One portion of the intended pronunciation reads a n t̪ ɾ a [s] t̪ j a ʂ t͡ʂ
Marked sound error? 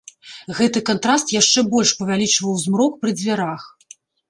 no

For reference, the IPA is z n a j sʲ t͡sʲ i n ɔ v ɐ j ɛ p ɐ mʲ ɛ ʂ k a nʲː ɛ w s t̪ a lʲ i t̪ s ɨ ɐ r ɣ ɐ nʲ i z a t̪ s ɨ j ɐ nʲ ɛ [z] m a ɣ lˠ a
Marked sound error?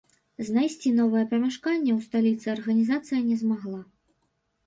no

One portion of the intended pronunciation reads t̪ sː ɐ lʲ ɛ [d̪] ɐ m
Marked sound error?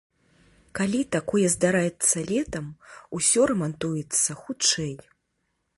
yes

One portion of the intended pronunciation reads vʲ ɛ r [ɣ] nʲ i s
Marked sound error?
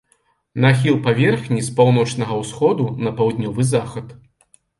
yes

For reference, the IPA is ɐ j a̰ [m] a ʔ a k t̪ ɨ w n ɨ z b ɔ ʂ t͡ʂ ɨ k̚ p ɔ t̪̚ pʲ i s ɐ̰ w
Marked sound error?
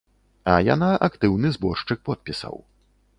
yes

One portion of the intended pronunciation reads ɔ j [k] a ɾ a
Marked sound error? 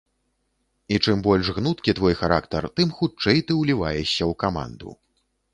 yes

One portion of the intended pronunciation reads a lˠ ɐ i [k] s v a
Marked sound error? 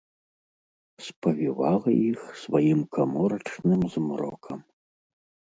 yes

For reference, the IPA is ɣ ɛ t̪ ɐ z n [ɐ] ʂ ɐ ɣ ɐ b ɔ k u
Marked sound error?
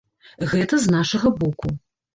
yes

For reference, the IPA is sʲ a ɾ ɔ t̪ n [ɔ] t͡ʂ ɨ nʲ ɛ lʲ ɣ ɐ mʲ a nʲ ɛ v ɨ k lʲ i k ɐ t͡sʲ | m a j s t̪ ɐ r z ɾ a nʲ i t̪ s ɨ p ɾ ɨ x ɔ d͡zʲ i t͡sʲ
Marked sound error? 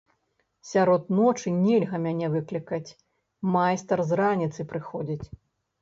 no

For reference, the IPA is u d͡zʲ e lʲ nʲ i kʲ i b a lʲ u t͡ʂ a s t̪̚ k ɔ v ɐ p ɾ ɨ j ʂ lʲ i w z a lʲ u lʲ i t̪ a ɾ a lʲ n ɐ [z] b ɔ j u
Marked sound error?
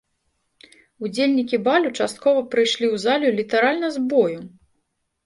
no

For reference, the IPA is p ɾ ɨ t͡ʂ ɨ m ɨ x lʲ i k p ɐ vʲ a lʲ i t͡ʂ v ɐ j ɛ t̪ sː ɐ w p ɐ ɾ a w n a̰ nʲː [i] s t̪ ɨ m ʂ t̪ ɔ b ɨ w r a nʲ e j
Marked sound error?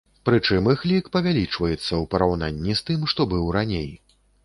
no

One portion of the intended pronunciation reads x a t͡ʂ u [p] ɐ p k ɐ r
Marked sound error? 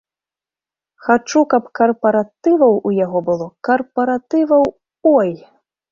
yes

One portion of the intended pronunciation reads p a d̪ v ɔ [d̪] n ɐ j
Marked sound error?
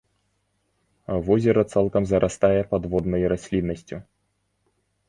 no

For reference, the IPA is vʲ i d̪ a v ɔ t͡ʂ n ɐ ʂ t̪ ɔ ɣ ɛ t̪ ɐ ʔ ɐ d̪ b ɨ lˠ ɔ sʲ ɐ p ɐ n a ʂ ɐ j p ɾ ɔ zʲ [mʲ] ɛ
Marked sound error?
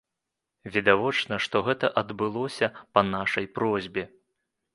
yes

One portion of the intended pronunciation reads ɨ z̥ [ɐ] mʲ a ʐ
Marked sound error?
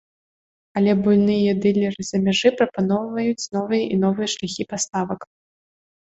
no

